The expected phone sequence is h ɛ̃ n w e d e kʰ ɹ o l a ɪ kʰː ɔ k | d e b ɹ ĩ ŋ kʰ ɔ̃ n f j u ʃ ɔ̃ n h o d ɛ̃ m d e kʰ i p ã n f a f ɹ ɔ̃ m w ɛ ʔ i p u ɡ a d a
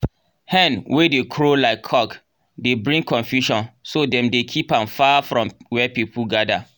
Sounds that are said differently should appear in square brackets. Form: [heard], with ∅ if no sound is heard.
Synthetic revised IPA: h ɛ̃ n w e d e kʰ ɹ o l a ɪ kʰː ɔ k | d e b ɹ ĩ ŋ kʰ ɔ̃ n f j u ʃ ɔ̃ n [s] o d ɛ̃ m d e kʰ i p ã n f a f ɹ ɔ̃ m w ɛ [p] i p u ɡ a d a